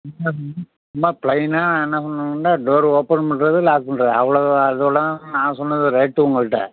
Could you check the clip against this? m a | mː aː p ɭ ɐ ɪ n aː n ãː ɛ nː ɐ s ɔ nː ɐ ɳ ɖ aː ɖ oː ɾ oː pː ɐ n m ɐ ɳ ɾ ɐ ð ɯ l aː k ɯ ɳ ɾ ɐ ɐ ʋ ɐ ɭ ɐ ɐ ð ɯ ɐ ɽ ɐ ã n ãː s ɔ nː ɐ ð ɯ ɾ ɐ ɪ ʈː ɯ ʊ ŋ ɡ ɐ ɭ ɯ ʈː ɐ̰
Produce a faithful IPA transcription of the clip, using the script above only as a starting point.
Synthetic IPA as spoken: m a | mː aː p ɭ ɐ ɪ n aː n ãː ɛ nː ɐ s ɔ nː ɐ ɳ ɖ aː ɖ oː ɾ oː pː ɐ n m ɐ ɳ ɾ ɐ ð ɯ l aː k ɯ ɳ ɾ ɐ ɐ ʋ ɐ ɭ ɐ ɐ ð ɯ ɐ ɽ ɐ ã n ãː s ɔ nː ɐ ð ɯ ɾ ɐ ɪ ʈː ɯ ʊ ŋ ɡ ɐ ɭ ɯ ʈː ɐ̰